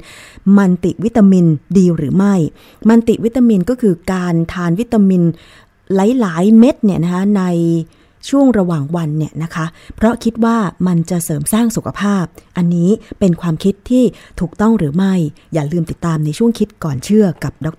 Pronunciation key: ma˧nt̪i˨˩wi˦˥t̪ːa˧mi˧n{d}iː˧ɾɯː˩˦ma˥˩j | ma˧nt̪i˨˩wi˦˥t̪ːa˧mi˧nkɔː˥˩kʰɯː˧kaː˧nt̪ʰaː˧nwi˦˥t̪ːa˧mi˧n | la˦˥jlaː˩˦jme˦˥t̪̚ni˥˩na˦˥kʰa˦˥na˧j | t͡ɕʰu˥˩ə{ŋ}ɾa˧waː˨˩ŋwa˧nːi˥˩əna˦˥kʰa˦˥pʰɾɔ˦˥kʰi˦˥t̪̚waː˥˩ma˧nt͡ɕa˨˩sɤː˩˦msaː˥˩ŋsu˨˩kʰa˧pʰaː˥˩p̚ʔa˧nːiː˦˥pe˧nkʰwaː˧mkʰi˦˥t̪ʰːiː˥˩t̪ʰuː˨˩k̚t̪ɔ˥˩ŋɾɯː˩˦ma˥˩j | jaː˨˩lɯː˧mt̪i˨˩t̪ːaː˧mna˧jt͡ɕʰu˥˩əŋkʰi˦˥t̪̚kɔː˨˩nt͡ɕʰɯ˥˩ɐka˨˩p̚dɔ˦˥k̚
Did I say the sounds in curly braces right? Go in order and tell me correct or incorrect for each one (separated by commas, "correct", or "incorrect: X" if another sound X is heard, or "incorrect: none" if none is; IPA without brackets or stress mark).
correct, correct